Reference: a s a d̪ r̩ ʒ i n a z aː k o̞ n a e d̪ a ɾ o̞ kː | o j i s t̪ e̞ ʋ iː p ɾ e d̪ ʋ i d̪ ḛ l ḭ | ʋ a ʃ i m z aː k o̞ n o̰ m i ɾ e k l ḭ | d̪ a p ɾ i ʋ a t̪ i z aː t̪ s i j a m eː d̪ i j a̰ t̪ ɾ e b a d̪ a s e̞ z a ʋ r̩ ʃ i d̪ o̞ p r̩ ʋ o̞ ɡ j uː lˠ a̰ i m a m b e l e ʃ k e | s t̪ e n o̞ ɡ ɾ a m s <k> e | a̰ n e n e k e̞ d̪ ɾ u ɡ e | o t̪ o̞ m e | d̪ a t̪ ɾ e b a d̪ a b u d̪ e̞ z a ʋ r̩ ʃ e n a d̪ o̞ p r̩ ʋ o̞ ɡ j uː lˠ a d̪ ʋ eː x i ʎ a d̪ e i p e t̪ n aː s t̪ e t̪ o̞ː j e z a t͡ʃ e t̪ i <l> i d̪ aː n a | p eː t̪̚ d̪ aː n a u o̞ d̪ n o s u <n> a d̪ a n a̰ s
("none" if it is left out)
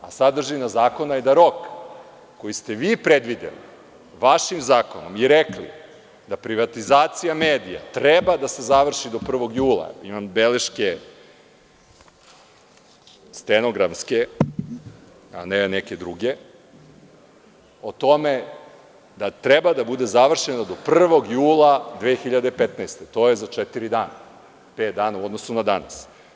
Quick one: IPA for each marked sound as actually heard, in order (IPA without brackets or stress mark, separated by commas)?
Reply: k, ɾ, n